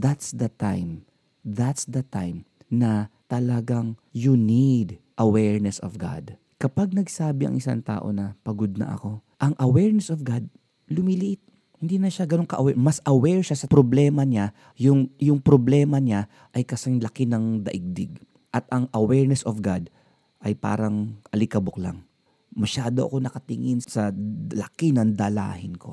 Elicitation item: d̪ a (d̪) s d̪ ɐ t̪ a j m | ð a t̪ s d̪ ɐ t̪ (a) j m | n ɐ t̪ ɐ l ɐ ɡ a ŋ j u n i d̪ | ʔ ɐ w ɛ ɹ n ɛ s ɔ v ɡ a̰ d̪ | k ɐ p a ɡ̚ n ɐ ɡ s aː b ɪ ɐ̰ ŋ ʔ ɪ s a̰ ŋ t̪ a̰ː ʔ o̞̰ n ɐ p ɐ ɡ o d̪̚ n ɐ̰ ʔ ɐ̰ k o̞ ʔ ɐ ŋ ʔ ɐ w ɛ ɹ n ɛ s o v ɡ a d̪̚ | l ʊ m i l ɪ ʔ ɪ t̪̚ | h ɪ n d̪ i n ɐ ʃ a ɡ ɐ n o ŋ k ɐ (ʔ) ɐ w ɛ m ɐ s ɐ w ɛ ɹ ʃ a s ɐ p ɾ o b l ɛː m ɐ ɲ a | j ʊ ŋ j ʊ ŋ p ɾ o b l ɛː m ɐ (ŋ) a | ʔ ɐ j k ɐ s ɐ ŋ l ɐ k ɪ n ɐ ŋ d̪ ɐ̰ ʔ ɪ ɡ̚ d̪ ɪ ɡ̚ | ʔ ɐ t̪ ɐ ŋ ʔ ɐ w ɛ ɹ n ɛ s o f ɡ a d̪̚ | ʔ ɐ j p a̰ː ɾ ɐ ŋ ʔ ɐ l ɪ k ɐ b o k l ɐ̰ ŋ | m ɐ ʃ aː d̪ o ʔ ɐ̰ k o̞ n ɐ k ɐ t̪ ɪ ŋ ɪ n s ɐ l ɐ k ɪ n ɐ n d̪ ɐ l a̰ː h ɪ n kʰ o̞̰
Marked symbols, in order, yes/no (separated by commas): no, yes, yes, no